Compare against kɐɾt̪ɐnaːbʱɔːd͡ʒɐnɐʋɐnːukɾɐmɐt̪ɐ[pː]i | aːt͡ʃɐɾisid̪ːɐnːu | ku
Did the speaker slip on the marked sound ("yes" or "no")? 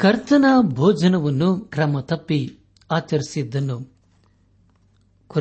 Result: no